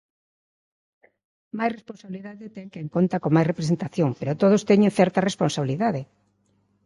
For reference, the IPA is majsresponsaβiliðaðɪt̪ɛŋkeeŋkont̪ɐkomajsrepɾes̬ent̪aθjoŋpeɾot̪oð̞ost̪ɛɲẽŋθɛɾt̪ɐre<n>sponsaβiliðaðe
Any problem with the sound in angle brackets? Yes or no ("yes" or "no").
yes